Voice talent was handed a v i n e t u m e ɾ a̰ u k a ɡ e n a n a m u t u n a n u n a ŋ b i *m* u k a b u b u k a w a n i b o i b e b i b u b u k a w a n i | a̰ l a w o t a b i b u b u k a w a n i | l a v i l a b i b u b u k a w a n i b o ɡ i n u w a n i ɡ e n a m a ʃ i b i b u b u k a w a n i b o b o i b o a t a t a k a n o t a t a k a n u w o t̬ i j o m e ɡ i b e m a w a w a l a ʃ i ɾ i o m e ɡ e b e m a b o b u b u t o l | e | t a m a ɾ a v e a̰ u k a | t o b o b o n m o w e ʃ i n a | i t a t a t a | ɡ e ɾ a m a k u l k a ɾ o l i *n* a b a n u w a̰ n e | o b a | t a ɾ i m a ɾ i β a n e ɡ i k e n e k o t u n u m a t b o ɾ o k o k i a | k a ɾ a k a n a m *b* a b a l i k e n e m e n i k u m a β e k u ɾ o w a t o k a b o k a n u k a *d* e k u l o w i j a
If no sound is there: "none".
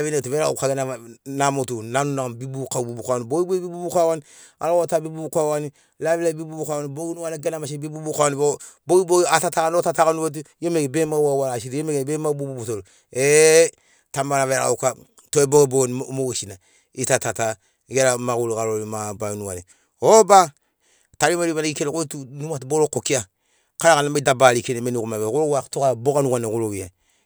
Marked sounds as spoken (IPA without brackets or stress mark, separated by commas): b, m, d, n